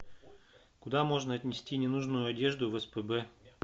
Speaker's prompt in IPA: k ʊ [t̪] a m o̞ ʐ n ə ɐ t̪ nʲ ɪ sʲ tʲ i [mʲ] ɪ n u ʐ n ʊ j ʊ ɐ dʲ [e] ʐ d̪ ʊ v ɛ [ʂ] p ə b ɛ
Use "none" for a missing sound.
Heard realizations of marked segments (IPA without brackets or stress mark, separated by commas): d̪, nʲ, e, s